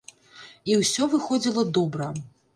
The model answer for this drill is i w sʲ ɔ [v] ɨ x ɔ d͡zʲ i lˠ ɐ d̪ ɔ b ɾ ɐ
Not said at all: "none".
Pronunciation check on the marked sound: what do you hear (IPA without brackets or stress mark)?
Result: v